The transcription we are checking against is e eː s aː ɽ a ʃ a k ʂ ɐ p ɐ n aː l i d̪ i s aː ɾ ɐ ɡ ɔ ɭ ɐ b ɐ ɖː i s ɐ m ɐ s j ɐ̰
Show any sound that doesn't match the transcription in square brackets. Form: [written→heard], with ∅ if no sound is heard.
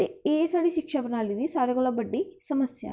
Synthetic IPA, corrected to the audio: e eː s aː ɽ [a→i] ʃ [a→i] k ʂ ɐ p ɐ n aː l i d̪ i s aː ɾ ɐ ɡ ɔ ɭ ɐ b ɐ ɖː i s ɐ m ɐ s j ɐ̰